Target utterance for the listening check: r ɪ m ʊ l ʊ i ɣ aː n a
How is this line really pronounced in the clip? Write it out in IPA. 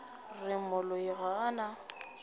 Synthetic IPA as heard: r ɪ m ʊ l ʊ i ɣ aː n a

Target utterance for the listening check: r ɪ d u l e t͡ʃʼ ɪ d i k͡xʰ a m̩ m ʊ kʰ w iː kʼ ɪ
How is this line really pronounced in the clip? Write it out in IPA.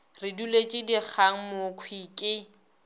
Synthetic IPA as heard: r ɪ d u l e t͡ʃʼ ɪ d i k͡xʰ a ŋ̩ m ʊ kʰ w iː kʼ ɪ

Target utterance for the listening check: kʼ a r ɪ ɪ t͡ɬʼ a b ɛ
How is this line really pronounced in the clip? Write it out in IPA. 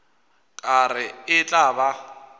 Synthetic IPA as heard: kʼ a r ɪ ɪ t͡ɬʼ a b a

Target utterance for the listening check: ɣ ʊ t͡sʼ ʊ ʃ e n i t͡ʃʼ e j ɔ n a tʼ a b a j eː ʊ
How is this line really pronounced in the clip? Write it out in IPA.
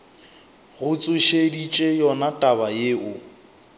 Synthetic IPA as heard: ɣ ʊ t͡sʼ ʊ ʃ e d i t͡ʃʼ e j ɔ n a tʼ a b a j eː ʊ

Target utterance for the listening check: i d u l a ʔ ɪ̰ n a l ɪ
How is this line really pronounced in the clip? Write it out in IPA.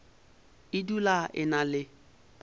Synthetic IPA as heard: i d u l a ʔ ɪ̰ n a l ɪ

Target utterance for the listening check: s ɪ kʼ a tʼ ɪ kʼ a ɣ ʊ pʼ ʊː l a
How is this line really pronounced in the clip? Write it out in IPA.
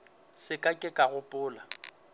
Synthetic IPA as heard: s ɪ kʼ a kʼ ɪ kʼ a ɣ ʊ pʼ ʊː l a

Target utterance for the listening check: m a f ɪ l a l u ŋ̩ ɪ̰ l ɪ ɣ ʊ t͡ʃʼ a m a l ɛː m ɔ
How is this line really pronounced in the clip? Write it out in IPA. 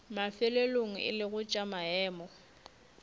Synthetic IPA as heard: m a f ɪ l e l o ŋ̩ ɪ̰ l ɪ ɣ ʊ t͡ʃʼ a m a ɛː m ɔ

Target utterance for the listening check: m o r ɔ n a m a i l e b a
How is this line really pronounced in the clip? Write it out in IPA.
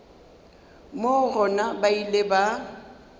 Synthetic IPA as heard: m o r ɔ n a b a i l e b a

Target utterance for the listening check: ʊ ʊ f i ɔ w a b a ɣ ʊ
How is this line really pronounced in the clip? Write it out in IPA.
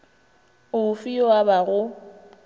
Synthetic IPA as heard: ʊ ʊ f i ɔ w a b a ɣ ʊ

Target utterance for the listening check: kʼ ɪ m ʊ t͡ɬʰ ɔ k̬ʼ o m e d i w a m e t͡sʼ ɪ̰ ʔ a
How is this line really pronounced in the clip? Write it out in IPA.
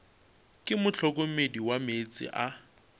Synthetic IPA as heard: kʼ ɪ m ʊ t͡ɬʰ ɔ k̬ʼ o m e d i w a m e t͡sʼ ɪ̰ ʔ a

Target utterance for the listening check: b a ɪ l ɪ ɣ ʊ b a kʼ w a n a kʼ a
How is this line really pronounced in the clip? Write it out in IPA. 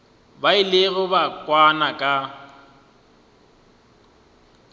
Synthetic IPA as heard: b a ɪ l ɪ ɣ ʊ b a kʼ w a n a kʼ a

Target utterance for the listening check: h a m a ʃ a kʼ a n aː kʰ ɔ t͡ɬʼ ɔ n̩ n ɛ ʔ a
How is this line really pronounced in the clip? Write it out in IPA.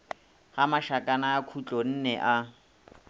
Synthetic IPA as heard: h a m a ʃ a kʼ a n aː kʰ u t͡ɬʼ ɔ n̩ n ɛ ʔ a

